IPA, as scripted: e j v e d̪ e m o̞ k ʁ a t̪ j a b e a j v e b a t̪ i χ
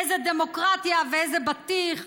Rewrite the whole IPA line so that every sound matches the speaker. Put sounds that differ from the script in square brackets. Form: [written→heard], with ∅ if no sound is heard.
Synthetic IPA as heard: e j [v→z] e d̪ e m o̞ k ʁ a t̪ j a [b→v] e [a→e] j [v→z] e b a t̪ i χ